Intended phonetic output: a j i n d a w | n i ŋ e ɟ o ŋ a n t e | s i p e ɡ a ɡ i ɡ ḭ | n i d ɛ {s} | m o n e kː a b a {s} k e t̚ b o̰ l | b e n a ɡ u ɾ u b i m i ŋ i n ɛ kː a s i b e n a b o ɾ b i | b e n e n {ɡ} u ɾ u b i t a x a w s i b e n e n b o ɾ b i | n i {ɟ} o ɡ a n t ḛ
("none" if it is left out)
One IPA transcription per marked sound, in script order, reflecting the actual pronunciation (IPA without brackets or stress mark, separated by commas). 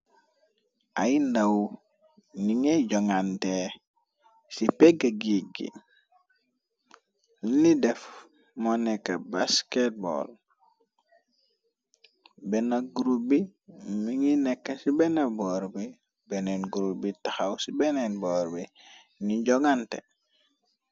f, s, ɡ, ɟ